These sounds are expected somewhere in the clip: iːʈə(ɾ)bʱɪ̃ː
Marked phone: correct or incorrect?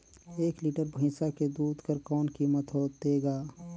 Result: correct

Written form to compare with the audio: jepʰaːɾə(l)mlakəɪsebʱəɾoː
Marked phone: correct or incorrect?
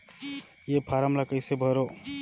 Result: incorrect: none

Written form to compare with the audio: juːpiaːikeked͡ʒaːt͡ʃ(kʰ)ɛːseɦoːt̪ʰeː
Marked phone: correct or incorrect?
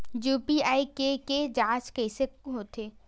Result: incorrect: k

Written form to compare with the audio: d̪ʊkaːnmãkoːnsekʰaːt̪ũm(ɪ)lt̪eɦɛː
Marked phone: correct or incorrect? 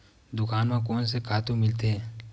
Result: correct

